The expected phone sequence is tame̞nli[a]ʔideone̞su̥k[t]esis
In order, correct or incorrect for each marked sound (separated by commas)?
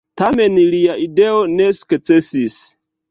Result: correct, incorrect